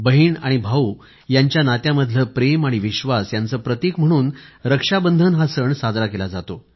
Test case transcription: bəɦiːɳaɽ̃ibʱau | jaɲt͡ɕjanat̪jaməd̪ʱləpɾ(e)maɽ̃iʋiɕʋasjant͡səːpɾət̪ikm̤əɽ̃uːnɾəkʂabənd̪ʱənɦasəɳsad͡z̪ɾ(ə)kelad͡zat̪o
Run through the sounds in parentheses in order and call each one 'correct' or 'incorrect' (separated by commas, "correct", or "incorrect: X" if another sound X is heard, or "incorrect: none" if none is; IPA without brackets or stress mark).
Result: correct, incorrect: a